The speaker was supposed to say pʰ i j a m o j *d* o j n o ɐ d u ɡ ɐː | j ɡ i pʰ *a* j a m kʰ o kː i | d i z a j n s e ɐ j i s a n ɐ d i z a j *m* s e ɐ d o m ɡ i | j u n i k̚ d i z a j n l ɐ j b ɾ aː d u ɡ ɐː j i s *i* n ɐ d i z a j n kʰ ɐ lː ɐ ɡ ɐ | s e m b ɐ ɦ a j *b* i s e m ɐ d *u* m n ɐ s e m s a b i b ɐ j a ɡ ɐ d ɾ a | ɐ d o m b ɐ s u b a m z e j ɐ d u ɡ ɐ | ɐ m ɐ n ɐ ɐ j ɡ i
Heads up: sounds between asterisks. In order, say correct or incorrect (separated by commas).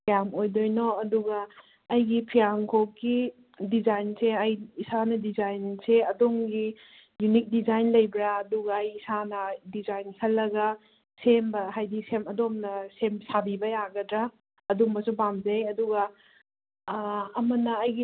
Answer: correct, incorrect, incorrect, incorrect, incorrect, incorrect